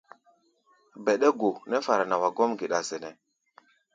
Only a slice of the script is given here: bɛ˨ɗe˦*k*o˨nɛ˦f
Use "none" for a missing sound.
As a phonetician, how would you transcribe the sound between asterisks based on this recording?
ɡ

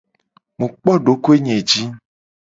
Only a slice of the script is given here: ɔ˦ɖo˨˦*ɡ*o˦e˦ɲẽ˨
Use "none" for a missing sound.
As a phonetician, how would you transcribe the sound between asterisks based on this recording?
k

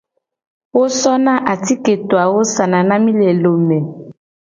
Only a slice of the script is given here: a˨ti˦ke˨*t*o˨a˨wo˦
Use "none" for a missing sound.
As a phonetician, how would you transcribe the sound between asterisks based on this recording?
t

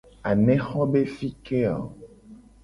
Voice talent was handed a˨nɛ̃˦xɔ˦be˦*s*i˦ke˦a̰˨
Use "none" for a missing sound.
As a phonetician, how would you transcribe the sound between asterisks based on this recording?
f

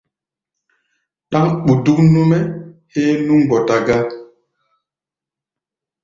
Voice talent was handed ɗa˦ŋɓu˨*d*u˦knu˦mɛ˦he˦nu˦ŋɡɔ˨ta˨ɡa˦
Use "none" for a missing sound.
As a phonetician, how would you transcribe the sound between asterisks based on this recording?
d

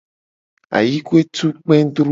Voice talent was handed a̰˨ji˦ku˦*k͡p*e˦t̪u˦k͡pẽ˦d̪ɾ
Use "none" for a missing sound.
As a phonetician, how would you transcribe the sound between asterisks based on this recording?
none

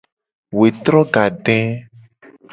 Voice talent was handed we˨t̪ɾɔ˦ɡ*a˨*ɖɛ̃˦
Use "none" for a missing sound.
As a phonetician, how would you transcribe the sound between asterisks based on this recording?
a˨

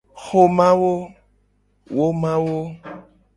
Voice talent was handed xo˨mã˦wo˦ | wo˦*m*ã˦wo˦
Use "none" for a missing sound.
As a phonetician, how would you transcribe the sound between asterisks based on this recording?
m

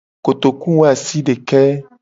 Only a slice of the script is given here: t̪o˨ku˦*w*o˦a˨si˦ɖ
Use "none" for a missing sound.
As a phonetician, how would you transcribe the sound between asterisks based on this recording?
w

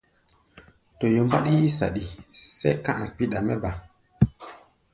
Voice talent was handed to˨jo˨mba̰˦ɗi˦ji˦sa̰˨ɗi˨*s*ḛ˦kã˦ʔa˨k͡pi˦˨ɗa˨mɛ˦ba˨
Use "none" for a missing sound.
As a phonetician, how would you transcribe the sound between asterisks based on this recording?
s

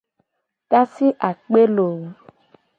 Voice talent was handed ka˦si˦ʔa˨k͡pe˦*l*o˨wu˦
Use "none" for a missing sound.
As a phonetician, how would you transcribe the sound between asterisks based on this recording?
l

